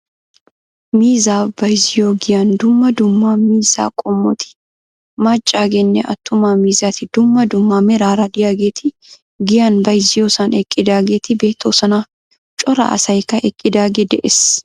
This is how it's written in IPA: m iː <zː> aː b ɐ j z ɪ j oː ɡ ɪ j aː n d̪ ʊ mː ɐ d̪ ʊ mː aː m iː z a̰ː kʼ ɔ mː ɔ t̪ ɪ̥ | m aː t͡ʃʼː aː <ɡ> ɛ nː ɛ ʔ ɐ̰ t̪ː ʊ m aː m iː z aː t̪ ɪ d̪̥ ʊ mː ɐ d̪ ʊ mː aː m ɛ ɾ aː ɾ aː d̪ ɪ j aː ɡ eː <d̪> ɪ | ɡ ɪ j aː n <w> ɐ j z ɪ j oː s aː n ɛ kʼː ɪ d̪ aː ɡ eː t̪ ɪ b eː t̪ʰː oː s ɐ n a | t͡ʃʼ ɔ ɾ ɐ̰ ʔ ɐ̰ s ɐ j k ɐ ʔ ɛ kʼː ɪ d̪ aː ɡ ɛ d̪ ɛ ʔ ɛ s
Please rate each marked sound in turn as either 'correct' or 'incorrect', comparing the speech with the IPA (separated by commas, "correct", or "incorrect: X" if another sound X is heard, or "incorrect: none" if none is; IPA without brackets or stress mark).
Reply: incorrect: z, correct, incorrect: t̪, incorrect: b